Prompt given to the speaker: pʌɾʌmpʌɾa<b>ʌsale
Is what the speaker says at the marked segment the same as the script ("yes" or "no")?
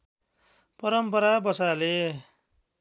yes